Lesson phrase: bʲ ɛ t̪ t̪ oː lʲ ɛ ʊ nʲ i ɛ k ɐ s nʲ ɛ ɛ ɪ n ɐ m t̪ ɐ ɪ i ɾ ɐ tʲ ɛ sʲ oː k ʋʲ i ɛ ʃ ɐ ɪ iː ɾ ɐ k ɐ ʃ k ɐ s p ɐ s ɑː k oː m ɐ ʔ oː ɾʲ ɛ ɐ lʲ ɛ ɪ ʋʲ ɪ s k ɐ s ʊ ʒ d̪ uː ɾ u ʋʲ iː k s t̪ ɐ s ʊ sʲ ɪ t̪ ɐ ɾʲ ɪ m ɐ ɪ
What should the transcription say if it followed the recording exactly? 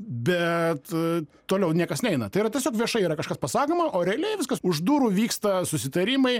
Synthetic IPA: bʲ ɛ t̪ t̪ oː lʲ ɛ ʊ nʲ i ɛ k ɐ s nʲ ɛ ɛ ɪ n ɐ t̪ ɐ ɪ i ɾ ɐ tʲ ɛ sʲ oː k ʋʲ i ɛ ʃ ɐ ɪ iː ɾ ɐ k ɐ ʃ k ɐ s p ɐ s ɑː k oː m ɐ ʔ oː ɾʲ ɛ ɐ lʲ ɛ ɪ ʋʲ ɪ s k ɐ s ʊ ʒ d̪ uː ɾ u ʋʲ iː k s t̪ ɐ s ʊ sʲ ɪ t̪ ɐ ɾʲ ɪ m ɐ ɪ